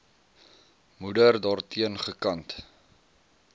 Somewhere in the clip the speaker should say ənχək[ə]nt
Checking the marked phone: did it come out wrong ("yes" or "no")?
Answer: yes